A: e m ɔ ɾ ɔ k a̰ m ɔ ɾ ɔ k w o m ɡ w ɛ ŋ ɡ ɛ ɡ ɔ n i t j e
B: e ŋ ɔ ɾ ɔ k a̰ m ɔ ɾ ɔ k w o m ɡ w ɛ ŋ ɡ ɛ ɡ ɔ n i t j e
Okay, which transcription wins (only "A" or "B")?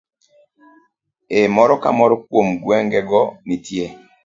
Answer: A